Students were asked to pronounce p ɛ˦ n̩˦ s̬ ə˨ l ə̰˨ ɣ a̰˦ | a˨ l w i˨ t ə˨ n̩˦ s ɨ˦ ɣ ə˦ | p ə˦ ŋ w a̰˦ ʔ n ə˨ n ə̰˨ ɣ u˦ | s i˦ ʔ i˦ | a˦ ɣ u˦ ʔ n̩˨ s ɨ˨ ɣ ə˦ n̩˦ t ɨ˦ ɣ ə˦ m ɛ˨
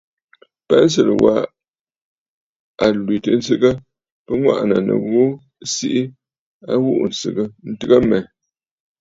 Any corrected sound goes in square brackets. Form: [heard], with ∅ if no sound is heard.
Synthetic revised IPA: p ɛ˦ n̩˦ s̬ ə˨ l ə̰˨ [w] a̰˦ | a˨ l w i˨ t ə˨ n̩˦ s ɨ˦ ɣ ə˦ | p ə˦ ŋ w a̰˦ ʔ n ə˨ n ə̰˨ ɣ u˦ | s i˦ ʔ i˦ | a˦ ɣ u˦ ʔ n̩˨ s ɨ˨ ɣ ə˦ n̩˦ t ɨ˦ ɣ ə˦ m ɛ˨